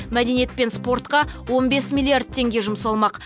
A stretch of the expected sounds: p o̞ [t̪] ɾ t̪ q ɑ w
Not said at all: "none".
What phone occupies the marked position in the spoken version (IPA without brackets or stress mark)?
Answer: none